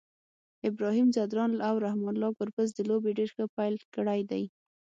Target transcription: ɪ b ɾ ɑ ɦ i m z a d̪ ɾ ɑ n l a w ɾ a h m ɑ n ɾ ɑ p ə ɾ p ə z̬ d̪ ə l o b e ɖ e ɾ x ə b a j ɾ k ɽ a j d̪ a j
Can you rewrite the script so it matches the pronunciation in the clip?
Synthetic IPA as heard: ɪ b ɾ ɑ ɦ i m z a d̪ ɾ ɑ n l a w ɾ a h m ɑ n l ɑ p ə ɾ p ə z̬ d̪ ə l o b e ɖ e ɾ x ə p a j l k ɽ a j d̪ a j